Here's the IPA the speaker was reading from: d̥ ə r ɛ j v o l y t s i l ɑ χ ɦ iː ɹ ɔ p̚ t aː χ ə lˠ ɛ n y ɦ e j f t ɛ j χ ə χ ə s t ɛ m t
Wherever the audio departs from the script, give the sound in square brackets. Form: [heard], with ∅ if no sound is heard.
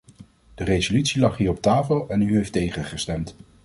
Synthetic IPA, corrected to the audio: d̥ ə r [e] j [z] o l y t s i l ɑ χ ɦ iː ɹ ɔ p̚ t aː [f] ə lˠ ɛ n y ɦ e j f t [e] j χ ə χ ə s t ɛ m t